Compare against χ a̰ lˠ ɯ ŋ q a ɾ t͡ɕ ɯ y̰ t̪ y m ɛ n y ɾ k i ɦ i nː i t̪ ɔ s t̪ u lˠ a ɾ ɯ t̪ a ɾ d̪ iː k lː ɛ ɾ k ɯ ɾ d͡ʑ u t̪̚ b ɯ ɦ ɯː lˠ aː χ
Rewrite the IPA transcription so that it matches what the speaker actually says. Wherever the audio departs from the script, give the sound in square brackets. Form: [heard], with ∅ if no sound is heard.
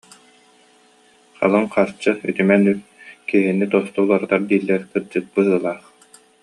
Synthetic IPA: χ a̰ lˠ ɯ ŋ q a ɾ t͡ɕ ɯ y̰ t̪ y m ɛ n y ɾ k i ɦ i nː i t̪ ɔ s t̪ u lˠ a ɾ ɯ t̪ a ɾ d̪ iː [∅] lː ɛ ɾ k ɯ ɾ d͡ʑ [ɯ] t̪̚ b ɯ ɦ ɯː lˠ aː χ